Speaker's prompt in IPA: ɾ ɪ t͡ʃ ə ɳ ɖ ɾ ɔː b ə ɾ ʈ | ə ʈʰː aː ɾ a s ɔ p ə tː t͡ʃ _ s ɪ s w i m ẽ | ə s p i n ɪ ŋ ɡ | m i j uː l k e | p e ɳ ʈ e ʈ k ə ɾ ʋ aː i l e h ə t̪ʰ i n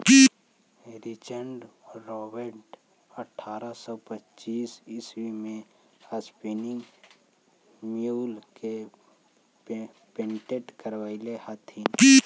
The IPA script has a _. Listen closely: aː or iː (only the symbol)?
iː